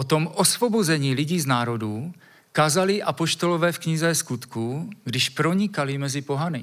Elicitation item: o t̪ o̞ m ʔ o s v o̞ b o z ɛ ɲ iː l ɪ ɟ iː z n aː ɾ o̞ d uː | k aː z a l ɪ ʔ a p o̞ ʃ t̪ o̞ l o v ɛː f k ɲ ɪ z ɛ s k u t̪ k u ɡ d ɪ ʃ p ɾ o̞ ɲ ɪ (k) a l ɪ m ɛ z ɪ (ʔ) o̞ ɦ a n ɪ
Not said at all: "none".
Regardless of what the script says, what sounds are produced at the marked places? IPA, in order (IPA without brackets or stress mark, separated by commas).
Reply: k, p